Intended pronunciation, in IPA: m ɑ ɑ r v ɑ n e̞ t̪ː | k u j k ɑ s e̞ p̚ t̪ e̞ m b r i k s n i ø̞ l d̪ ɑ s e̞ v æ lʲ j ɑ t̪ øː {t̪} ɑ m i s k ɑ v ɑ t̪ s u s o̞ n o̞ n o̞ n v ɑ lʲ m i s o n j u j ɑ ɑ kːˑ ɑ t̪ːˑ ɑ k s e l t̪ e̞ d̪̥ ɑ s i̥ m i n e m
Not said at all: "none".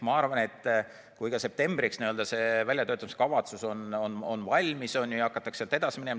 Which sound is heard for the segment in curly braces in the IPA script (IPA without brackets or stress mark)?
t̪